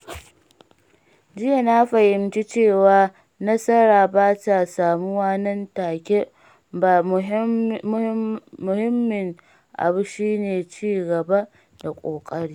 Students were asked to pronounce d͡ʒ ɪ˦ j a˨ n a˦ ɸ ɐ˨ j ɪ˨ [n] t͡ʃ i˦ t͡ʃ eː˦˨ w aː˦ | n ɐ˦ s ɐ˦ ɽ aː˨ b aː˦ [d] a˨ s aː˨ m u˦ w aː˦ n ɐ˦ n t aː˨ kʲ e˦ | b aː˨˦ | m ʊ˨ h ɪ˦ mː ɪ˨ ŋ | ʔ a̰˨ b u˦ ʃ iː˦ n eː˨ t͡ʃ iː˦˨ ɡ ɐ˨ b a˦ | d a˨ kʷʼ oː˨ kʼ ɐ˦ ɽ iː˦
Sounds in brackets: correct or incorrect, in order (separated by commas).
incorrect, incorrect